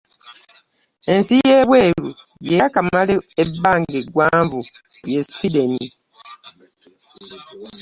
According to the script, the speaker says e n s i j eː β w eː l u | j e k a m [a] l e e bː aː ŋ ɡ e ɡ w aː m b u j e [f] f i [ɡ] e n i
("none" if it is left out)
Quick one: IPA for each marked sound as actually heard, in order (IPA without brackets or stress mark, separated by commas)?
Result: a, s, d